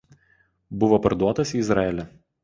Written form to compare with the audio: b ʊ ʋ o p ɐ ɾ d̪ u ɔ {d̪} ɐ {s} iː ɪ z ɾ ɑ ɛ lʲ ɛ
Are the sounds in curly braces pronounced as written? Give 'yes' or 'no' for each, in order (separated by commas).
no, yes